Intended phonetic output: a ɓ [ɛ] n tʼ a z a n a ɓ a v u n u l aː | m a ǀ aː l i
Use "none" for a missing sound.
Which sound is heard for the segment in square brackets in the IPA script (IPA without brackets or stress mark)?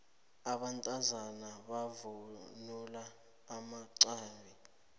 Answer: a